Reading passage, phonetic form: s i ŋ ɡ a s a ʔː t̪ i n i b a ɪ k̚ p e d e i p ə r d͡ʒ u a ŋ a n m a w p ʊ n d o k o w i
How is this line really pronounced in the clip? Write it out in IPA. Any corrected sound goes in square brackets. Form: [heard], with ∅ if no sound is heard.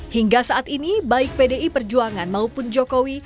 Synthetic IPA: [h] i ŋ ɡ a s a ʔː t̪ i n i b a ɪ k̚ p e d e i p ə r d͡ʒ u a ŋ a n m a [u] p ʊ n [d͡ʒ] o k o w i

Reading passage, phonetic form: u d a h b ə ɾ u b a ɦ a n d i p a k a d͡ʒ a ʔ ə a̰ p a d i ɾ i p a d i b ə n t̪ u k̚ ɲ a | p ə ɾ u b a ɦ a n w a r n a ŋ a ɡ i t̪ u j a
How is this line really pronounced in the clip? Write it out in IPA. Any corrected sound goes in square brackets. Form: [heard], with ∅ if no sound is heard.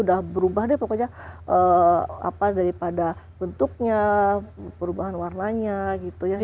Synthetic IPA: u d a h b ə ɾ u b a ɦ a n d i p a k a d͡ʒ a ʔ ə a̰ p a d [a] ɾ i p a d [a] b ə n t̪ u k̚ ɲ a | p ə ɾ u b a ɦ a n w a r n a [ɲ] a ɡ i t̪ u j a

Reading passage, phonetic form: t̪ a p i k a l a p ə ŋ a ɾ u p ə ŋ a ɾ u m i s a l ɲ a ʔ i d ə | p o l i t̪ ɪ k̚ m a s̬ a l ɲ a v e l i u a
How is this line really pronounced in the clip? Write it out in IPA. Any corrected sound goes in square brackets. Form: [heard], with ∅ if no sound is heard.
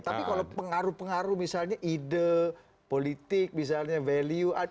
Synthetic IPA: t̪ a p i k a l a p ə ŋ a ɾ u p ə ŋ a ɾ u m i s a l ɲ a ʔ i d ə | p o l i t̪ ɪ k̚ m [i] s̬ a l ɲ a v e l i u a

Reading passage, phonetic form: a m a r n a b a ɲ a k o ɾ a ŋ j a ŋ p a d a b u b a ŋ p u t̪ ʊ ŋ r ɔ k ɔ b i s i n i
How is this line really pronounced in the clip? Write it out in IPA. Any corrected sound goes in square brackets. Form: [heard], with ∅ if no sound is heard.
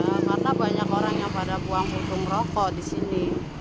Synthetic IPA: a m a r n a b a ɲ a k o ɾ a ŋ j a ŋ p a d a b u [∅] a ŋ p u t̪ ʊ ŋ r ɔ k ɔ [d] i s i n i

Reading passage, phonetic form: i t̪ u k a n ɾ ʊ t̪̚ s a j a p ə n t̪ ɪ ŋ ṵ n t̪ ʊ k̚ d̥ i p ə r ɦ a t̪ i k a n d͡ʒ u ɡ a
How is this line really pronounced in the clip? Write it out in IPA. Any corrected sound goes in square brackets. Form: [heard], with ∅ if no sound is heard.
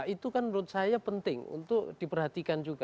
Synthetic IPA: i t̪ u k a n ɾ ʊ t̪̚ s a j a p ə n t̪ ɪ ŋ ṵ n t̪ ʊ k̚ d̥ i p ə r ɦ a t̪ i k a n d͡ʒ u ɡ a

